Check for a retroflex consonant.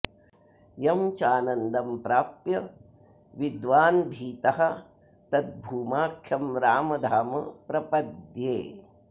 absent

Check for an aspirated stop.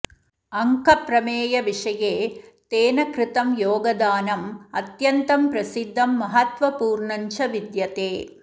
absent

